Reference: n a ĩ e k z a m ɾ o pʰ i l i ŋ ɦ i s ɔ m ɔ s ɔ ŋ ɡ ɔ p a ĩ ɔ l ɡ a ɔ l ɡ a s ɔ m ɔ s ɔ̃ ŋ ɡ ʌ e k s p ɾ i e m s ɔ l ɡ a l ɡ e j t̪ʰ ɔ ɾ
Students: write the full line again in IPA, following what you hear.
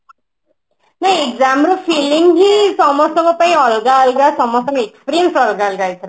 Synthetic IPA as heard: n a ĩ e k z a m ɾ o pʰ i l i ŋ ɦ i s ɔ m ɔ s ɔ ŋ ɡ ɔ p a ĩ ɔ l ɡ a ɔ l ɡ a s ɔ m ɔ s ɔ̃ ŋ ɡ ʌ e k s p ɾ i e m s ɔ l ɡ a l ɡ a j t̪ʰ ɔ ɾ